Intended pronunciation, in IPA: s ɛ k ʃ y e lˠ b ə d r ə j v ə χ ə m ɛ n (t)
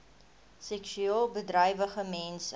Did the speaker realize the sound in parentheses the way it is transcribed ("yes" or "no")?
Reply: no